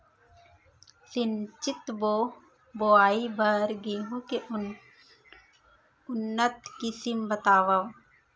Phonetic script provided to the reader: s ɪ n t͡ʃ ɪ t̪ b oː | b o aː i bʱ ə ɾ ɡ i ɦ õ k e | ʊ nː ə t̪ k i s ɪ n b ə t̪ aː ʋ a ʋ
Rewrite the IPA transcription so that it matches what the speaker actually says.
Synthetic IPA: s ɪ n t͡ʃ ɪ t̪ b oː | b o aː i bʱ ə ɾ ɡ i ɦ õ k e | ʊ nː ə t̪ k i s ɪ m b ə t̪ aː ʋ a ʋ